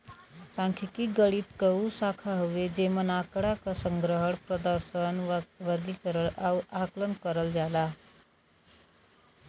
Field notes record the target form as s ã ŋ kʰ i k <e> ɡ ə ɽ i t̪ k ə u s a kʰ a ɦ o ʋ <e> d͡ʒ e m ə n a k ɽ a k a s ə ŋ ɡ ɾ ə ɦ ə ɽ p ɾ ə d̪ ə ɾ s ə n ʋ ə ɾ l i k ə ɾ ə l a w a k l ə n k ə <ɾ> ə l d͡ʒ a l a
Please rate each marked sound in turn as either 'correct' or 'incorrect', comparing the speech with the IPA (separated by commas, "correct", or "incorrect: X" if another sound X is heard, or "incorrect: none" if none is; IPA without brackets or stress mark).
incorrect: i, correct, correct